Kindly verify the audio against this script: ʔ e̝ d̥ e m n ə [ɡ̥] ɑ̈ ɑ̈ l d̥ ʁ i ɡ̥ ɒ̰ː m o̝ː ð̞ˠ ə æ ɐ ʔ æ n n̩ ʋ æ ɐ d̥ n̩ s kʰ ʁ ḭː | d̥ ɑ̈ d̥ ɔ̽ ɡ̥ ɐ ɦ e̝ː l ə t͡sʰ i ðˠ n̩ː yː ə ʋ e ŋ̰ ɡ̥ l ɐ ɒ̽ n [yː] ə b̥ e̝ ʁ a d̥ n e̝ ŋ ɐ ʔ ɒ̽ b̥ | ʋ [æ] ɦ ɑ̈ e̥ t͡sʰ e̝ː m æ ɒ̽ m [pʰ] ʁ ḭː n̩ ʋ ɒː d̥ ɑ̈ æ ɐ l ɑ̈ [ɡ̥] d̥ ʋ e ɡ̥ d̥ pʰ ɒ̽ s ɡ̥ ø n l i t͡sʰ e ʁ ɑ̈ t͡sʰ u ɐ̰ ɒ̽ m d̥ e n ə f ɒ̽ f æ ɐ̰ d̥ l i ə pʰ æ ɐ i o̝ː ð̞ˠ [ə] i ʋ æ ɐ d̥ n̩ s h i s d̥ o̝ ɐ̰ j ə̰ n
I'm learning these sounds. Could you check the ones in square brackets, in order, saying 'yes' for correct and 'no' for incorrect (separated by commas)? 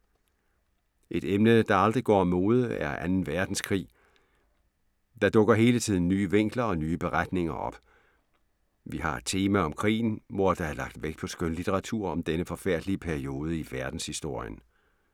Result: no, yes, no, no, yes, yes